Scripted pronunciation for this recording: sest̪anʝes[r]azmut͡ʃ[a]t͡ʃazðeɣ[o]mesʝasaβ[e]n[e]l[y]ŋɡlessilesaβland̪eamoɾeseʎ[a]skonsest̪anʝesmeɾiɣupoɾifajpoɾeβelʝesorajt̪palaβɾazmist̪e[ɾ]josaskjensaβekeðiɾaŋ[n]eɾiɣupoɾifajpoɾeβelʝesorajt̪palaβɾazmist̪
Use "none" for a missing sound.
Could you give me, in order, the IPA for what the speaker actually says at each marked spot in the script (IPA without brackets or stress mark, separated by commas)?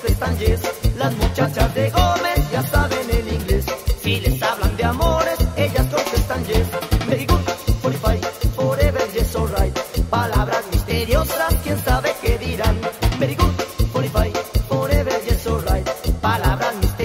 l, a, o, e, e, i, a, ɾ, m